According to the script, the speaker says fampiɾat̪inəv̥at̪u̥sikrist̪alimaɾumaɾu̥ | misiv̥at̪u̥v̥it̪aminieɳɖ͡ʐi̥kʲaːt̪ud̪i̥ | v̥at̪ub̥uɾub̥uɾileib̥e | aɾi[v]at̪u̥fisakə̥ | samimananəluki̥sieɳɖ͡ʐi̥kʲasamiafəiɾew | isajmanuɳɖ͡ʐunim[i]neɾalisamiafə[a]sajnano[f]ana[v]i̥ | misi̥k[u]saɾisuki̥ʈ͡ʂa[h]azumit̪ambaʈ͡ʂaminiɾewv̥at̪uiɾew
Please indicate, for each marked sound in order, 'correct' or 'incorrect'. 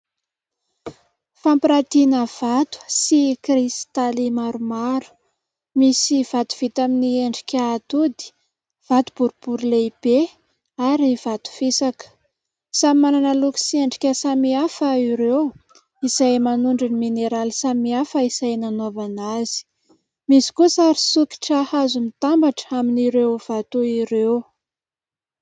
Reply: correct, correct, incorrect: i, incorrect: v, incorrect: z, correct, correct

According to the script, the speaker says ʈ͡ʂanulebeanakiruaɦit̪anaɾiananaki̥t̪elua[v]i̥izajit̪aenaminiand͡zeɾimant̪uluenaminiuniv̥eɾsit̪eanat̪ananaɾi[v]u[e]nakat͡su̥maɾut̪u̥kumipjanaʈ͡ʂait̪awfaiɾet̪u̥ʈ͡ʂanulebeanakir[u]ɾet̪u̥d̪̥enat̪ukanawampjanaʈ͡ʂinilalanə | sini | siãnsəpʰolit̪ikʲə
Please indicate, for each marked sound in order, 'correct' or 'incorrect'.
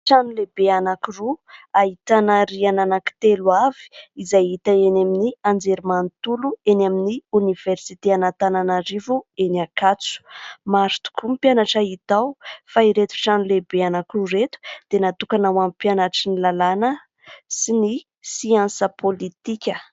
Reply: correct, correct, correct, correct

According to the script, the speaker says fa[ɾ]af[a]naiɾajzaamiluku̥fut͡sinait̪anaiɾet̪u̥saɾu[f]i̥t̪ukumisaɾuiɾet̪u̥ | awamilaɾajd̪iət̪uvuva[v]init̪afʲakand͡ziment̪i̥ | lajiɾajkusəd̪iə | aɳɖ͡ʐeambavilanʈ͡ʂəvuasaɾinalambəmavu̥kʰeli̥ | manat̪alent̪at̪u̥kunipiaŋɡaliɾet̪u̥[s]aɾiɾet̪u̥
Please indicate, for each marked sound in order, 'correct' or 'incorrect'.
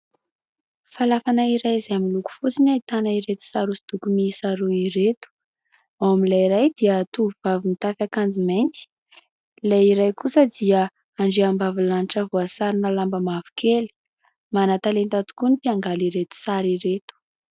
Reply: incorrect: l, correct, incorrect: s, correct, correct

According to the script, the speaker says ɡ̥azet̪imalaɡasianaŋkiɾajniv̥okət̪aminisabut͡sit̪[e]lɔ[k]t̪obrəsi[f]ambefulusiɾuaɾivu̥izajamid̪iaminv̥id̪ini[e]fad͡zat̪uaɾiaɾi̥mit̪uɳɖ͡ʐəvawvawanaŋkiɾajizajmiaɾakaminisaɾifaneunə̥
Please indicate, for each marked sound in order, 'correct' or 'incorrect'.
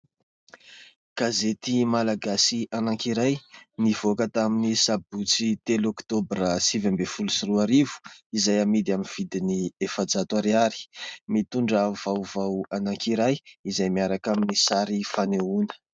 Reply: correct, correct, incorrect: v, correct

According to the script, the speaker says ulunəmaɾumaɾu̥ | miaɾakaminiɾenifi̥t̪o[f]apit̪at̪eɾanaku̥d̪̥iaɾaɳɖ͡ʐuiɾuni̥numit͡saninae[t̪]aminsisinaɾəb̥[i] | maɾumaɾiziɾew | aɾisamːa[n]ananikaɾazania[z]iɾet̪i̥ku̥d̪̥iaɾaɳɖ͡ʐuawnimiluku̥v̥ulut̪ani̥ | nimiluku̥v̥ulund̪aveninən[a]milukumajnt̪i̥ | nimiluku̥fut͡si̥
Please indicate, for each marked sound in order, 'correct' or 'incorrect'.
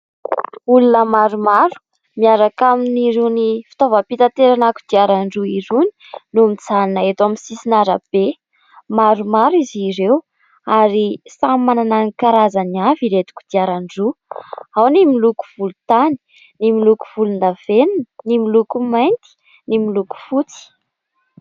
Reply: incorrect: v, correct, incorrect: e, correct, incorrect: v, incorrect: i

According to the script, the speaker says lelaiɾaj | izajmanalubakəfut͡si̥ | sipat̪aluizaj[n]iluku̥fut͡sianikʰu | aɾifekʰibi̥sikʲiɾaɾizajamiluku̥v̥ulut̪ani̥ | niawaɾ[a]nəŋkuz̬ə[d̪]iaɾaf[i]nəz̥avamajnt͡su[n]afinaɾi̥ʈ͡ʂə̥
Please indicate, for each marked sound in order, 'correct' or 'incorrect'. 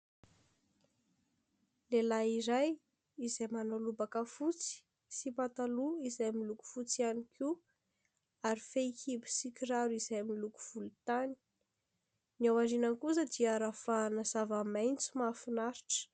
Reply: incorrect: m, incorrect: i, correct, incorrect: a, incorrect: m

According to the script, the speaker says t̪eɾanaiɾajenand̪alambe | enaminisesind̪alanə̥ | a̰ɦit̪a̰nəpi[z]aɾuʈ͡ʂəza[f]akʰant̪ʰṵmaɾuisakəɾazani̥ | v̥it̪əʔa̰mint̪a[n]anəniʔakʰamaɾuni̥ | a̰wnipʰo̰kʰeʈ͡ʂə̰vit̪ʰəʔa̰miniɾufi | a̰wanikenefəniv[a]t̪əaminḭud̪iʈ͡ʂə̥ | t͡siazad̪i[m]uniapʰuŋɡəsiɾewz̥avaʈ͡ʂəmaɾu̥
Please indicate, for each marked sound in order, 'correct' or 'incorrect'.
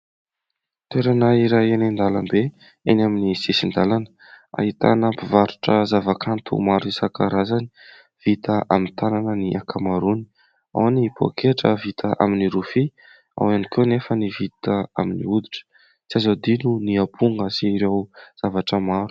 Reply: incorrect: v, incorrect: v, correct, incorrect: i, incorrect: n

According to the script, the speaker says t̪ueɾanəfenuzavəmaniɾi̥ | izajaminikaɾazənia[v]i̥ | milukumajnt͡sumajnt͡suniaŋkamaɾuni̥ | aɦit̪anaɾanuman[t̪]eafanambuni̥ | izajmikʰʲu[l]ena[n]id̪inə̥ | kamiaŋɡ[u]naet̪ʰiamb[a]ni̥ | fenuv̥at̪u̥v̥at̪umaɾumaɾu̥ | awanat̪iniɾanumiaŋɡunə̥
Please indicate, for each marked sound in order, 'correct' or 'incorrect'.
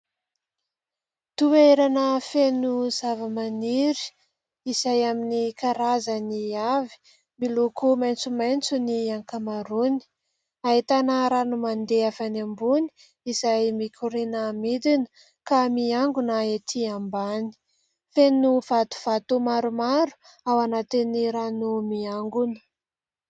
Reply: correct, incorrect: d̪, incorrect: ɾ, incorrect: m, correct, correct

